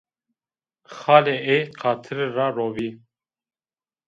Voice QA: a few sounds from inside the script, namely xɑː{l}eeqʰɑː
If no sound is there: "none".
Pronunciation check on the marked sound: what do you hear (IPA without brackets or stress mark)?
l